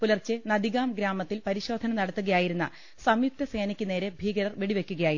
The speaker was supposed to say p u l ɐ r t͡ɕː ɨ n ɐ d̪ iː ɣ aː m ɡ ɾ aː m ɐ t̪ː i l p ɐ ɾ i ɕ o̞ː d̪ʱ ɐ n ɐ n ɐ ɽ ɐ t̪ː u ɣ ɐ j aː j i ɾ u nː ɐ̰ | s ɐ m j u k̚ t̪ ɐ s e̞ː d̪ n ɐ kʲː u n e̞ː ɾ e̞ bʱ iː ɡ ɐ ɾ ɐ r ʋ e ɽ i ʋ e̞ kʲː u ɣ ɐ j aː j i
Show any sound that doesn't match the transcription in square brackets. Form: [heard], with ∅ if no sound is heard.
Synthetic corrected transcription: p u l ɐ r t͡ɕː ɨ n ɐ d̪ [i] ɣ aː m ɡ ɾ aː m ɐ t̪ː i l p ɐ ɾ i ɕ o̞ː d̪ʱ ɐ n ɐ n ɐ ɽ ɐ t̪ː u ɣ ɐ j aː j i ɾ u nː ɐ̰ | s ɐ m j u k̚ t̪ ɐ s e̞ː [∅] n ɐ kʲː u n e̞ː ɾ e̞ bʱ iː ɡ ɐ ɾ ɐ r ʋ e ɽ i ʋ e̞ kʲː u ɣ ɐ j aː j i